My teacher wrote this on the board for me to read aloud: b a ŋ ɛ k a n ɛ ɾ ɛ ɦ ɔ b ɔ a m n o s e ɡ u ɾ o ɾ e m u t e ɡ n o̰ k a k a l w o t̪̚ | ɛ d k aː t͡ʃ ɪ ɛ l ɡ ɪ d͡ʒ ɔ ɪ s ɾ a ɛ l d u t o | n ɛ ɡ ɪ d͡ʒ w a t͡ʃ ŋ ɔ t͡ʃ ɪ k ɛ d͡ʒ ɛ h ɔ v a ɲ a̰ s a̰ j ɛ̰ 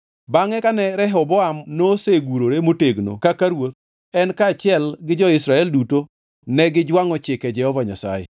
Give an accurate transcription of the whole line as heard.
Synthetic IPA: b a ŋ ɛ k a n ɛ ɾ ɛ ɦ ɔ b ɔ a m n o s e ɡ u ɾ o ɾ e m o t e ɡ n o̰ k a k a ɾ w o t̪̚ | ɛ n k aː t͡ʃ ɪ ɛ l ɡ ɪ d͡ʒ ɔ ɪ s ɾ a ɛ l d u t o | n ɛ ɡ ɪ d͡ʒ w a ŋ ɔ t͡ʃ ɪ k ɛ d͡ʒ ɛ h ɔ v a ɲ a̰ s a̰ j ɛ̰